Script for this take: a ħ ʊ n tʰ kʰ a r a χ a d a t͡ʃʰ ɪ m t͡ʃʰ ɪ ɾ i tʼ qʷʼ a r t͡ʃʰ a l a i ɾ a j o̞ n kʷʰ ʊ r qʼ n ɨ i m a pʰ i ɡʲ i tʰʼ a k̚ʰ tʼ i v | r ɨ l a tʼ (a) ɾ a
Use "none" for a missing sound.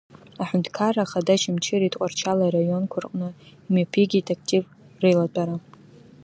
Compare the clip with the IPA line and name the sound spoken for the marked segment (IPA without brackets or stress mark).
a